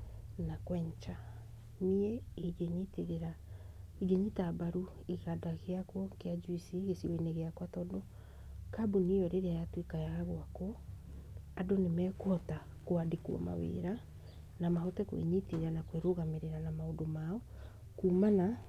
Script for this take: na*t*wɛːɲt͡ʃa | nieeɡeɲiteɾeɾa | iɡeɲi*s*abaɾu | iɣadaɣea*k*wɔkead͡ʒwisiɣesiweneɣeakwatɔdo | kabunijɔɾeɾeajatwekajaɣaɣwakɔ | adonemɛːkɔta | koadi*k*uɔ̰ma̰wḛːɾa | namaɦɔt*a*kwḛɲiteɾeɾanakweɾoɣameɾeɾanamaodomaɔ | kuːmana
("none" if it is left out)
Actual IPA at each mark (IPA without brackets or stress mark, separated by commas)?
k, t, k, k, ɛ